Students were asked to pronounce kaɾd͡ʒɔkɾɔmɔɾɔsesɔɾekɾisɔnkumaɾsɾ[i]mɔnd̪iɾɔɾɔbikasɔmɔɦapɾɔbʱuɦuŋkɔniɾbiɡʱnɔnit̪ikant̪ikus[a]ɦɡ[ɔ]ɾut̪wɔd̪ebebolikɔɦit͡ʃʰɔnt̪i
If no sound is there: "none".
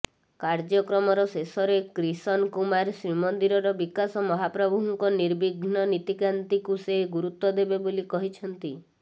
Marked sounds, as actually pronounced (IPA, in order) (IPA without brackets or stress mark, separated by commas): i, e, u